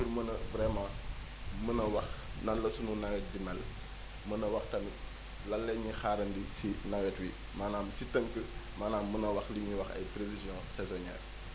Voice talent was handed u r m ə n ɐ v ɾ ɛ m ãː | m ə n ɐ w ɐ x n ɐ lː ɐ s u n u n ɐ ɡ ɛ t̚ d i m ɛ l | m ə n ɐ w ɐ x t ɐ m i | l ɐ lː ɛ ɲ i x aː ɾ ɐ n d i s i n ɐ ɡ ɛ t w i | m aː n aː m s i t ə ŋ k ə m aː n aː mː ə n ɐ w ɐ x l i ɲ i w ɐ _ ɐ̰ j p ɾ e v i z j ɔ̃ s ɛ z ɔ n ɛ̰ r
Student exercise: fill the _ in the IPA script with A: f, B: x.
B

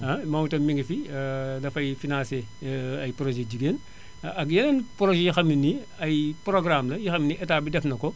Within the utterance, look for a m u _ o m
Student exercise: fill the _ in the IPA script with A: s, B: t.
B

